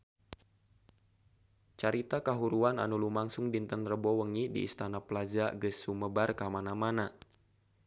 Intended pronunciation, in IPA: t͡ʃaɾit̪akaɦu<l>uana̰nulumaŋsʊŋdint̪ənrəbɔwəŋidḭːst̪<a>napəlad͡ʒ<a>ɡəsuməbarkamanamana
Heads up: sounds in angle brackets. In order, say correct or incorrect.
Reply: incorrect, correct, correct

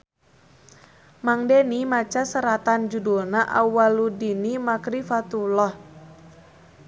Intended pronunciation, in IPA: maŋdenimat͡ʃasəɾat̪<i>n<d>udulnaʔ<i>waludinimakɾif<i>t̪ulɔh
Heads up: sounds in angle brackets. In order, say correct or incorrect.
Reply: incorrect, incorrect, incorrect, incorrect

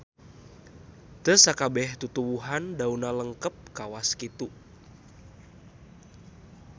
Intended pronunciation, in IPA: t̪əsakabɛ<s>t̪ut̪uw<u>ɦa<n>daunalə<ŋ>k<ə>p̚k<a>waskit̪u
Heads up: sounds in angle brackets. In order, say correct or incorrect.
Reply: incorrect, correct, correct, correct, correct, correct

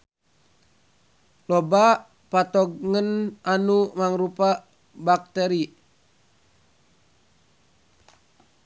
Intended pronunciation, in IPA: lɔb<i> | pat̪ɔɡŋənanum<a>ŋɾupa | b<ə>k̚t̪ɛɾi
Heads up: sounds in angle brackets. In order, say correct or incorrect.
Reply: incorrect, correct, incorrect

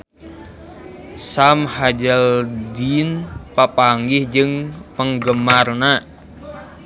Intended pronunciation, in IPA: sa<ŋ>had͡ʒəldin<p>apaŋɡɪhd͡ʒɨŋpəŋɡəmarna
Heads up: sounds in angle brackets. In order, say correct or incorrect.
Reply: incorrect, correct

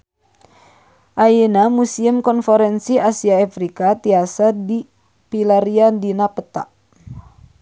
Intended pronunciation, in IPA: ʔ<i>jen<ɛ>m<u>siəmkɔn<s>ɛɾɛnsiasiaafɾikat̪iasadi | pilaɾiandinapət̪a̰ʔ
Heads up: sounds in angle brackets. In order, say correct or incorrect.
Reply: incorrect, incorrect, correct, incorrect

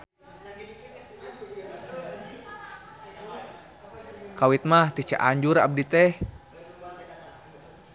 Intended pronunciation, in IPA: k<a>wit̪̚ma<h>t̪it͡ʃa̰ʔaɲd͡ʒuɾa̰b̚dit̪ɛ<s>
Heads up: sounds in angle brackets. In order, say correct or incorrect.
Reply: correct, correct, incorrect

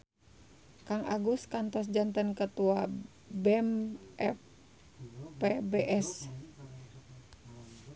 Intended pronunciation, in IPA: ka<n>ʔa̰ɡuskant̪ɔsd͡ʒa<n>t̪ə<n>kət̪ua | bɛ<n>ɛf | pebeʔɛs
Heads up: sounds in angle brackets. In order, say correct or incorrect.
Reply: incorrect, correct, correct, incorrect

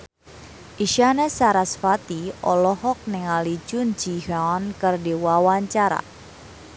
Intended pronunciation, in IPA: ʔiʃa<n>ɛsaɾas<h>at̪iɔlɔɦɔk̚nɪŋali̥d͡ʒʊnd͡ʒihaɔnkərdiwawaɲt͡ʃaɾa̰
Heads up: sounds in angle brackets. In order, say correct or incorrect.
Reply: correct, incorrect

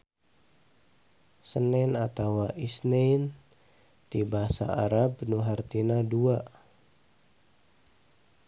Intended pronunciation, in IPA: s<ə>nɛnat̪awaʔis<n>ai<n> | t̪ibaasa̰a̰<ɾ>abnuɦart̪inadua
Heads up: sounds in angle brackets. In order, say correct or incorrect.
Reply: correct, correct, correct, correct

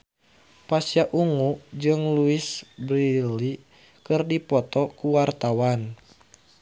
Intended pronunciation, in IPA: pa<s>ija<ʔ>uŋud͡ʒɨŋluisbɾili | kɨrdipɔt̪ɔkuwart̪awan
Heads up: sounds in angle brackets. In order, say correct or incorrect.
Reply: correct, correct

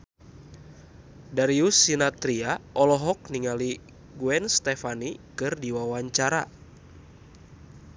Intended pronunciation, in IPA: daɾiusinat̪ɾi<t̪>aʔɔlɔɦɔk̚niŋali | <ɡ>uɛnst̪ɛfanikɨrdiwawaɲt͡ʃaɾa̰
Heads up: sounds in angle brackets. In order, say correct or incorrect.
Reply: incorrect, correct

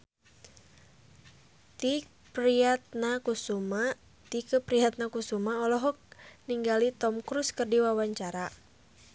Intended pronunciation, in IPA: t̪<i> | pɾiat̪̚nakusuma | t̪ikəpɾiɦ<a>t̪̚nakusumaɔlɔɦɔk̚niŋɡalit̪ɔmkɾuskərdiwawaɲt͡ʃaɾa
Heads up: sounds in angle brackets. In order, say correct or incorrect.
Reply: correct, correct

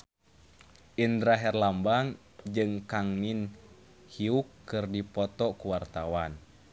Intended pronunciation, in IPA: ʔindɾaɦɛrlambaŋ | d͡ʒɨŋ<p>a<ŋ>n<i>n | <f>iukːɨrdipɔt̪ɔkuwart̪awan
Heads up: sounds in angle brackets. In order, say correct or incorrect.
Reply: incorrect, correct, correct, incorrect

